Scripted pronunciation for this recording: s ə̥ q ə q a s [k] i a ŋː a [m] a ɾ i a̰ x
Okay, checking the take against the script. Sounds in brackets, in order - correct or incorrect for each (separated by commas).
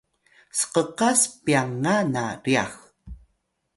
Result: incorrect, incorrect